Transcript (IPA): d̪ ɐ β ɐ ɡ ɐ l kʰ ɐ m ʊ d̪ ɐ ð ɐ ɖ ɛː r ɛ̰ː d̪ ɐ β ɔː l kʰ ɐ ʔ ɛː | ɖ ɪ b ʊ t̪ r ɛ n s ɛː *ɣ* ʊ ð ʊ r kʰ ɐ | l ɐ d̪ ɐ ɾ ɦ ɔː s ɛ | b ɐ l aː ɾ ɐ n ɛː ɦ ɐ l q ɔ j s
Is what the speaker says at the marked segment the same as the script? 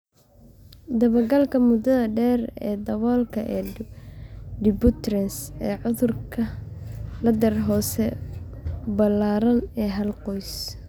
no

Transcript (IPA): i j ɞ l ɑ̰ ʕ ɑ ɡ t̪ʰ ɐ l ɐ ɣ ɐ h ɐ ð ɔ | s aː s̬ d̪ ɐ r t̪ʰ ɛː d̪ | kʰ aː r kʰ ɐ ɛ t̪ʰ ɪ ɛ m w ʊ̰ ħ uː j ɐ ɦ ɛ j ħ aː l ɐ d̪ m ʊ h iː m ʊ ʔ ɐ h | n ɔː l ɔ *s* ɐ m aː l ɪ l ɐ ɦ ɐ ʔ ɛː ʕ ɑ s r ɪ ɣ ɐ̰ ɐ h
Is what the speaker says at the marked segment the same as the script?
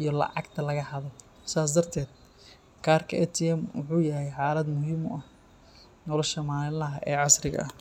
no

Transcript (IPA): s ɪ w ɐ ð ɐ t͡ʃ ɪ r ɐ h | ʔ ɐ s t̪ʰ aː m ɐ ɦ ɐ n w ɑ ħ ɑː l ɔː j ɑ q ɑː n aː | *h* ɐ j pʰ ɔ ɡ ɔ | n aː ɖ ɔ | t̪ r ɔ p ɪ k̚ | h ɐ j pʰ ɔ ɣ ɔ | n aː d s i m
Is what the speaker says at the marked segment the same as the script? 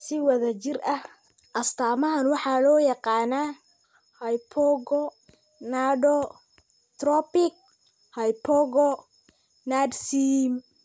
yes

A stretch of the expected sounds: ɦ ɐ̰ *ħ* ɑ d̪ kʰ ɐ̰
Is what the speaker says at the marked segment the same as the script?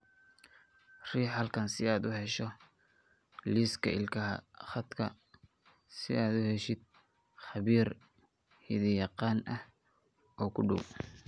no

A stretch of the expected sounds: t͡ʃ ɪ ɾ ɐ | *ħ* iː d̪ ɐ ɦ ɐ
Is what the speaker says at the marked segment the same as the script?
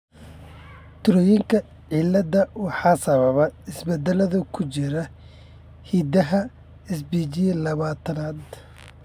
no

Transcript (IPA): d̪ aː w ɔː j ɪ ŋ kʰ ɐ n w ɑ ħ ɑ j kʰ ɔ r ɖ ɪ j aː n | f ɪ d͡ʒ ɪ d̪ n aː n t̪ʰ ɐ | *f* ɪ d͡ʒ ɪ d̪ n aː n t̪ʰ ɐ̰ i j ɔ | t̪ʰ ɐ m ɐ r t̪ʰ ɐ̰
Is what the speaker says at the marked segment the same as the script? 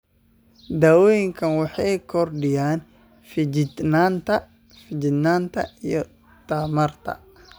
yes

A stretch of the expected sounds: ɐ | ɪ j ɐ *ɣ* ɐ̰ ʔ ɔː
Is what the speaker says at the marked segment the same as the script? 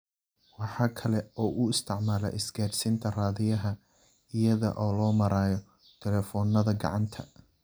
no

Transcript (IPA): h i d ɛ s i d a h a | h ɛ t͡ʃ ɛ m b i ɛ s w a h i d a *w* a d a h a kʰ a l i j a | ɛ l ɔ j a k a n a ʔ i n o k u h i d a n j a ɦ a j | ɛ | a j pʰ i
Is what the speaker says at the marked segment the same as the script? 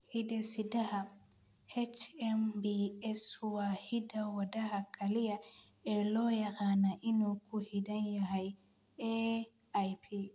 yes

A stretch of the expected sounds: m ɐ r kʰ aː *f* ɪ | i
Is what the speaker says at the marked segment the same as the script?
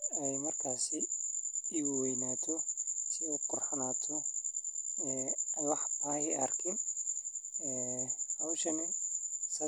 no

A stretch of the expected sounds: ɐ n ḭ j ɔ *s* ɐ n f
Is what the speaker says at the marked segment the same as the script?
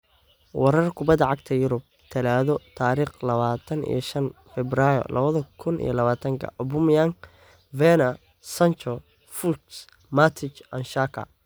no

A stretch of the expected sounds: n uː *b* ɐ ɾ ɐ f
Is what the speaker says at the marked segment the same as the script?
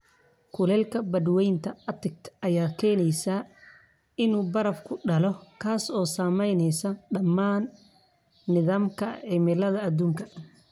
yes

